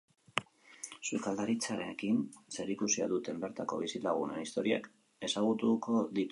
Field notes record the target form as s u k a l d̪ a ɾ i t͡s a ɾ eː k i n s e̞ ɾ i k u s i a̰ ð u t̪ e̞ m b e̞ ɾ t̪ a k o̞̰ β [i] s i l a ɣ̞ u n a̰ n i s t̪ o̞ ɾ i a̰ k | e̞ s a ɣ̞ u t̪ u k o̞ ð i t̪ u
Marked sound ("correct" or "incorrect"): correct